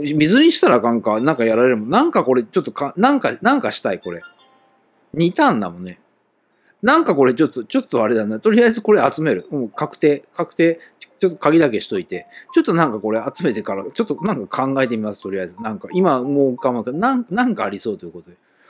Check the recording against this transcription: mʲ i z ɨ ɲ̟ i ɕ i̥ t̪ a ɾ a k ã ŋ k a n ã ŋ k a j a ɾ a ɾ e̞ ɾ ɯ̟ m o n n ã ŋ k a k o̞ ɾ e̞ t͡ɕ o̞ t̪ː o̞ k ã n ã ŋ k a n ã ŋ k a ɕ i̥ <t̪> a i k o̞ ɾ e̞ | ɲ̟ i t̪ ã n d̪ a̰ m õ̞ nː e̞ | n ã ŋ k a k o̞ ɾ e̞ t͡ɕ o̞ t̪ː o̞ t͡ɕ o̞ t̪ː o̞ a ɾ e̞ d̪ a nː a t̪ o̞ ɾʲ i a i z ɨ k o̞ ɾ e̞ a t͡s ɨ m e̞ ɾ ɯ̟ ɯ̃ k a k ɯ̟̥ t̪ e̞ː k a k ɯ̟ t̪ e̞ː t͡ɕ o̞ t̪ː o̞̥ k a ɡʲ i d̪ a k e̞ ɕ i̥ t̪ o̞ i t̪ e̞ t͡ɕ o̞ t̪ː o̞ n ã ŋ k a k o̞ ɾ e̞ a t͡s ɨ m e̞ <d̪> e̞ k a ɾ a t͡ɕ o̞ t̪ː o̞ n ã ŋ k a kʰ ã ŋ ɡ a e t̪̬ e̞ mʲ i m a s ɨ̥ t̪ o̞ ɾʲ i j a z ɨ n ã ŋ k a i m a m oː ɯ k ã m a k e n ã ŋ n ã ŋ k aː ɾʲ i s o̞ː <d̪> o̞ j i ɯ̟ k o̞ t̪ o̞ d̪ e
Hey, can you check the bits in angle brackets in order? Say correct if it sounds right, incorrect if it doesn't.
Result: correct, incorrect, incorrect

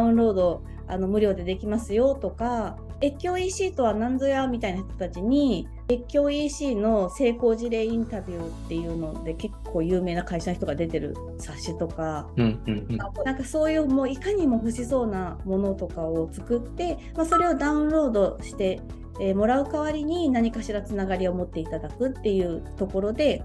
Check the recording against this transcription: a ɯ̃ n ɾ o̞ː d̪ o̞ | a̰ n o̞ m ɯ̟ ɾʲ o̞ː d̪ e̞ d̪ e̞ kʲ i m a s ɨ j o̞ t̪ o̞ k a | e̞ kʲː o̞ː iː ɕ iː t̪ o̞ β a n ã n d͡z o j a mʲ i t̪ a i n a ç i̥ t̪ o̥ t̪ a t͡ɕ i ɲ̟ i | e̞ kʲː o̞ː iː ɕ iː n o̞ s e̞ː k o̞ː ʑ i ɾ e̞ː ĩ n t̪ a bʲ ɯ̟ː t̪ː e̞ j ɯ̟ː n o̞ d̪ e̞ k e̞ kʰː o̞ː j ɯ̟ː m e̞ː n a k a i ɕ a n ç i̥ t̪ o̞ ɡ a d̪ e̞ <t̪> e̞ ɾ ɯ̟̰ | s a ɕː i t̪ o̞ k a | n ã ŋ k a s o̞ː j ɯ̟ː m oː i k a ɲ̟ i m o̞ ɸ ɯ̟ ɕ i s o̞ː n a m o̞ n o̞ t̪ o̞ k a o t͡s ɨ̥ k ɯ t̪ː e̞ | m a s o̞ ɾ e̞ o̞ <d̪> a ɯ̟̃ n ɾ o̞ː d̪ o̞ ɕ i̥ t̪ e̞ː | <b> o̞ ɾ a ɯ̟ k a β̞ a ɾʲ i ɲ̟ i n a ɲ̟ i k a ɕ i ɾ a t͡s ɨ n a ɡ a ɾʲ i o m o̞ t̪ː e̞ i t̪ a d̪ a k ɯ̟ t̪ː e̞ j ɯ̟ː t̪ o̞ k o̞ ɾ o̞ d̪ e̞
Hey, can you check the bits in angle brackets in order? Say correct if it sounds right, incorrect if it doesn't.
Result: correct, correct, incorrect

